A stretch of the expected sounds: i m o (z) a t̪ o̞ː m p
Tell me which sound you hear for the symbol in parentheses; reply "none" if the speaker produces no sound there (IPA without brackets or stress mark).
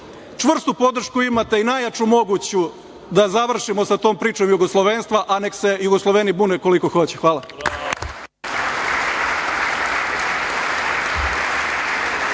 s